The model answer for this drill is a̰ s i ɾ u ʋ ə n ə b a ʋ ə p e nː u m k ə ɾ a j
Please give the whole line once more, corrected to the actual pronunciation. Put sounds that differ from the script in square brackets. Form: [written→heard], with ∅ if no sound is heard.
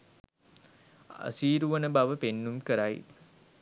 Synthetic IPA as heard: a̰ s [i→iː] ɾ u ʋ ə n ə b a ʋ ə p e nː u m k ə ɾ a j

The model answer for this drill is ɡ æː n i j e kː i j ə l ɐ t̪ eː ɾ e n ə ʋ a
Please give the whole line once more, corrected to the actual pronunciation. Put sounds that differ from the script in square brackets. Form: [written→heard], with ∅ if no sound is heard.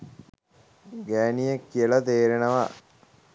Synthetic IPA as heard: ɡ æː n i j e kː i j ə l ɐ t̪ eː ɾ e n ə ʋ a

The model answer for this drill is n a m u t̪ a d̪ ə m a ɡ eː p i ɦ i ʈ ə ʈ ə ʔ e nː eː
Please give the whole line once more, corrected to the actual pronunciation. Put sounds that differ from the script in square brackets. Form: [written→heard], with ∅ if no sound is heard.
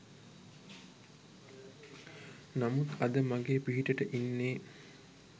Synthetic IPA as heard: n a m u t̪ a d̪ ə m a ɡ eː p i ɦ i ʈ ə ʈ ə ʔ [e→i] nː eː

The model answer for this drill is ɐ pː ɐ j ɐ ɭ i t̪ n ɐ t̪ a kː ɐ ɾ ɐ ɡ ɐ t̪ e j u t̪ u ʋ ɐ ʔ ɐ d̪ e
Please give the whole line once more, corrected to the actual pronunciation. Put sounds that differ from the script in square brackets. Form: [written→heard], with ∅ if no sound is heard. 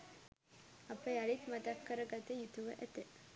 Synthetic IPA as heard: ɐ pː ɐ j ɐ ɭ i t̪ [n→m] ɐ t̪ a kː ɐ ɾ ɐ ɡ ɐ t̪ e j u t̪ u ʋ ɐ ʔ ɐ [d̪→t̪] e

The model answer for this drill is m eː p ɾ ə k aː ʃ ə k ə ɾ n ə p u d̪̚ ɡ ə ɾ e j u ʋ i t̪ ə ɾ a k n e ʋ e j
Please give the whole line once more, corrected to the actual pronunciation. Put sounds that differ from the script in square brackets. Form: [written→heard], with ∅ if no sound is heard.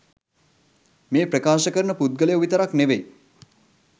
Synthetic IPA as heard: m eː p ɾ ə k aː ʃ ə k ə ɾ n ə p u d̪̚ ɡ ə [ɾ→l] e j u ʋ i t̪ ə ɾ a k n e ʋ e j

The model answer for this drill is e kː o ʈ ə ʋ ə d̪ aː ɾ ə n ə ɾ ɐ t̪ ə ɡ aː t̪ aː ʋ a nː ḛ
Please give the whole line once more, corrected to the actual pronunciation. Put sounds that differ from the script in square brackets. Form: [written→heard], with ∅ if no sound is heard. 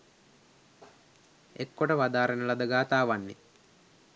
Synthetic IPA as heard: e kː o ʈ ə ʋ [ə→a] d̪ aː ɾ ə n ə [ɾ→l] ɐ [t̪→d̪] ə ɡ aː t̪ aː ʋ a nː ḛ

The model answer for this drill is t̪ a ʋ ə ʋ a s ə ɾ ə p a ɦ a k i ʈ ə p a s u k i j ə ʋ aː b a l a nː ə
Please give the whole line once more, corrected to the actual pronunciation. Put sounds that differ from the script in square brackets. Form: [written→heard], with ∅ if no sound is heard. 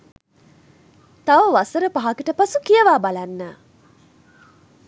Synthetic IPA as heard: t̪ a ʋ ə ʋ a s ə ɾ ə p a ɦ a k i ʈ ə p a s u k i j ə ʋ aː b a l a nː ə

